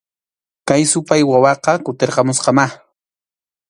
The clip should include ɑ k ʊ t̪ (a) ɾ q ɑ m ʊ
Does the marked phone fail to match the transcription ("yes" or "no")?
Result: yes